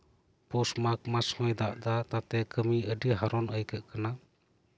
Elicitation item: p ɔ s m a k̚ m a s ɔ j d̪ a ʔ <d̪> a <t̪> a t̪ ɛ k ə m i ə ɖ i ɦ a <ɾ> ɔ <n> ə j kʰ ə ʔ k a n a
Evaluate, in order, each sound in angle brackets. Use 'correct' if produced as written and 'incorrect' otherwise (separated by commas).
correct, correct, correct, correct